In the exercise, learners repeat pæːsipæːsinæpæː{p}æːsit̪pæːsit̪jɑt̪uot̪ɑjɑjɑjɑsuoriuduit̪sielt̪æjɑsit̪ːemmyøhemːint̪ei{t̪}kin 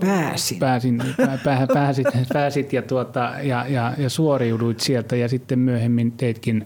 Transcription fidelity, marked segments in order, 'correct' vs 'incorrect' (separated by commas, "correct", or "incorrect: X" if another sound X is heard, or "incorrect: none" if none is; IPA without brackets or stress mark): correct, correct